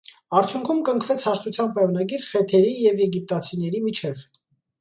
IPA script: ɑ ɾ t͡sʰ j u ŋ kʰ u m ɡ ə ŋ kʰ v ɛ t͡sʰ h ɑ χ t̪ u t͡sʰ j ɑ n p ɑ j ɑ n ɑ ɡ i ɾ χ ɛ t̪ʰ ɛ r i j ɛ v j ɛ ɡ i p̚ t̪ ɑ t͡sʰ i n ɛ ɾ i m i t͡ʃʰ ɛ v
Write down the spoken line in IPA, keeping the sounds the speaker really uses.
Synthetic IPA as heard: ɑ ɾ t͡sʰ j u ŋ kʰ u m k ə ŋ kʰ v ɛ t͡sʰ h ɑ ʃ t̪ u t͡sʰ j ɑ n p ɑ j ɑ n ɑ ɡ i ɾ χ ɛ t̪ʰ ɛ ɾ i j ɛ v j ɛ ɡ i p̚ t̪ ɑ t͡sʰ i n ɛ ɾ i m i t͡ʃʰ ɛ v